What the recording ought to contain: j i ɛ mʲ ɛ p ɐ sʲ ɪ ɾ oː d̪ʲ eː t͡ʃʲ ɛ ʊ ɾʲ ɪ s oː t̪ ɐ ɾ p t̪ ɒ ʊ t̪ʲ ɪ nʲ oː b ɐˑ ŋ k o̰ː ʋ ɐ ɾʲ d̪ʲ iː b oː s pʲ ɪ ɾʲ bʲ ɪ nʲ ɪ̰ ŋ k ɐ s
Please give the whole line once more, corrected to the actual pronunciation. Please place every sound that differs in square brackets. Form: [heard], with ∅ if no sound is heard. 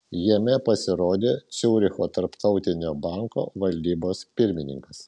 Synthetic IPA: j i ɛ mʲ ɛ p ɐ sʲ ɪ ɾ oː d̪ʲ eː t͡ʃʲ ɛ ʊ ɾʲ ɪ [x] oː t̪ ɐ ɾ p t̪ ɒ ʊ t̪ʲ ɪ nʲ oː b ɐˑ ŋ k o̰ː ʋ ɐ [lʲ] d̪ʲ iː b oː s pʲ ɪ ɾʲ [mʲ] ɪ nʲ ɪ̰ ŋ k ɐ s